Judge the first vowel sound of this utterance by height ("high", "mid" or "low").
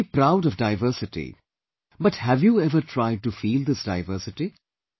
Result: low